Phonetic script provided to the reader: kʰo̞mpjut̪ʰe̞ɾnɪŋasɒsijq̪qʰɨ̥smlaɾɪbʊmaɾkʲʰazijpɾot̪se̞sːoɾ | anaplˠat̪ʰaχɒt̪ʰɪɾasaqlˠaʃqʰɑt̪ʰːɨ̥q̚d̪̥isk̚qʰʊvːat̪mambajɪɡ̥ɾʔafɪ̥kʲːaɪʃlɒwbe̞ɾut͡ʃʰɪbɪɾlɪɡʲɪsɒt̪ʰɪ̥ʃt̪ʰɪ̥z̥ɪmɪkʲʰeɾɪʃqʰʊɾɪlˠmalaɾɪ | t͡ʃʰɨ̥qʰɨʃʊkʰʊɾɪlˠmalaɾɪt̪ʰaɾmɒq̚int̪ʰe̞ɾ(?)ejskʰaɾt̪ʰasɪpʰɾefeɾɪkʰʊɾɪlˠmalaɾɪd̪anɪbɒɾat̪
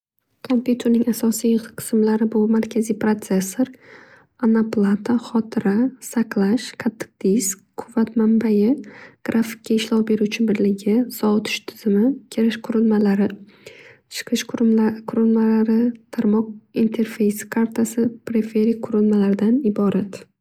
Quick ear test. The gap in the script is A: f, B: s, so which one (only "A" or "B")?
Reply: A